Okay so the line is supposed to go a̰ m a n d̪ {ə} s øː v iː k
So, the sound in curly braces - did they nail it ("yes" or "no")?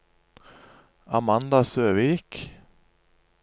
no